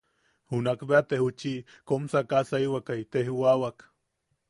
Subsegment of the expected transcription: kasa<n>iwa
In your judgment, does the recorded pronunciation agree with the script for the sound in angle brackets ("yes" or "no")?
no